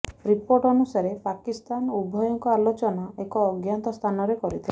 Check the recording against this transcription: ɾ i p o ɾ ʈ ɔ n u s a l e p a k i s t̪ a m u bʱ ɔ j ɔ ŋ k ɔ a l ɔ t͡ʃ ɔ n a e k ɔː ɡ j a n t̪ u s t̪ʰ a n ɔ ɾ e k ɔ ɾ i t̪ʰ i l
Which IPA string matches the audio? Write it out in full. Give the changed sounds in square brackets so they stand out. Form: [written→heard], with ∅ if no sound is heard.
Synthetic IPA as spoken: ɾ i p o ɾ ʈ ɔ n u s a [l→ɾ] e p a k i s t̪ a [m→n] u bʱ ɔ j ɔ ŋ k ɔ a l [ɔ→o] t͡ʃ ɔ n a e k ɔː ɡ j a n t̪ [u→ɔ] s t̪ʰ a n ɔ ɾ e k ɔ ɾ i t̪ʰ i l